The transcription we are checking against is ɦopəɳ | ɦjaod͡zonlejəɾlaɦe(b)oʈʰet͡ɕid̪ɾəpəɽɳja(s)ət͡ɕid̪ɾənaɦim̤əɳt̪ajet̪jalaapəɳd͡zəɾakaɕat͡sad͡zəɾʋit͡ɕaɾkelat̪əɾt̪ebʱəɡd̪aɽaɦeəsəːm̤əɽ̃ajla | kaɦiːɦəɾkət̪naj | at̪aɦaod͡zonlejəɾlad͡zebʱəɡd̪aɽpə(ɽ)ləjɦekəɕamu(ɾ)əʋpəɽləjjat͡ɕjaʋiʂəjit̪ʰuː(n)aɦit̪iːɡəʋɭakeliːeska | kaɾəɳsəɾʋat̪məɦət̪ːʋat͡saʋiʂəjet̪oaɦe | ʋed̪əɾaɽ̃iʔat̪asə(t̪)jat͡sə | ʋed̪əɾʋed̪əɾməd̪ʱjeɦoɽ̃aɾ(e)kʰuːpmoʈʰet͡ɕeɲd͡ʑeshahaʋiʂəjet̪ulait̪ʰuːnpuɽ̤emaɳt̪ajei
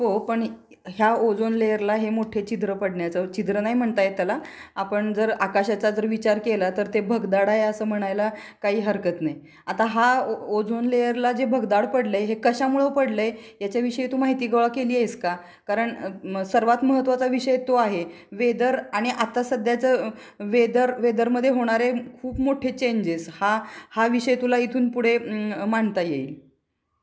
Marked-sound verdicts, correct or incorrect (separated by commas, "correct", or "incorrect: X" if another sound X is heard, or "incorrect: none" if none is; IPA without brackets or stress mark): incorrect: m, incorrect: t͡s, correct, incorrect: ɭ, incorrect: m, incorrect: d̪, correct